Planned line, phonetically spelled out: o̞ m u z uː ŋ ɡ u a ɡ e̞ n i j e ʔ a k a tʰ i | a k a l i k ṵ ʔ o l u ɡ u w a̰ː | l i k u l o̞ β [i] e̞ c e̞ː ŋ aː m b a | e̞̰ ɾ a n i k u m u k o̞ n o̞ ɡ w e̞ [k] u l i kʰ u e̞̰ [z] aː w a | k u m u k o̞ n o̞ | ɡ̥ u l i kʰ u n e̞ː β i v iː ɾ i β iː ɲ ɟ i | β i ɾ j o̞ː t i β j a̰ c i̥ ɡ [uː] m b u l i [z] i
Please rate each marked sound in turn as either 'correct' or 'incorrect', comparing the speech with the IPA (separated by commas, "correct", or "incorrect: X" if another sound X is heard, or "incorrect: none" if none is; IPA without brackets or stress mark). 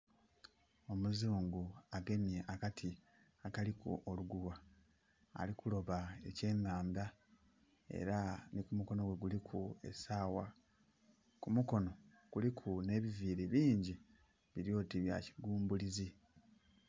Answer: incorrect: a, incorrect: ɡ, incorrect: s, correct, correct